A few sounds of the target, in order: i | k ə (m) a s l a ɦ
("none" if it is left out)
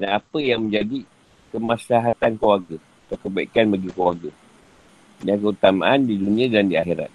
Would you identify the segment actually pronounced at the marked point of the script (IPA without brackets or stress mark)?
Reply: m